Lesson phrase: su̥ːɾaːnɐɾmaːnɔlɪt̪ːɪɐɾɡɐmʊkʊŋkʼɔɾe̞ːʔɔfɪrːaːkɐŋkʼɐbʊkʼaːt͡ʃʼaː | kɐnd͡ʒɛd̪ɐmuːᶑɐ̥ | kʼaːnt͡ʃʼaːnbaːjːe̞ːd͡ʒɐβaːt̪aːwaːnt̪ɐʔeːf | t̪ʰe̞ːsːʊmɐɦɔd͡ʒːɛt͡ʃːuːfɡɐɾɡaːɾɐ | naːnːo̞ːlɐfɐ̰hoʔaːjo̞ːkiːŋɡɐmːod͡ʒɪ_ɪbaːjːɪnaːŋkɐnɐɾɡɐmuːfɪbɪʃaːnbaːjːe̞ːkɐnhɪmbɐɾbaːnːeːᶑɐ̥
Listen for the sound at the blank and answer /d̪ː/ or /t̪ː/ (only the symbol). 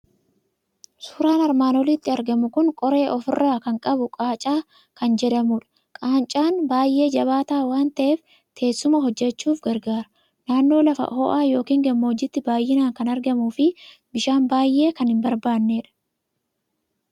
t̪ː